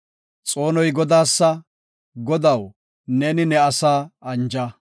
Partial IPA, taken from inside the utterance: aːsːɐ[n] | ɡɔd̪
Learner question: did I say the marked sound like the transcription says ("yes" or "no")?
no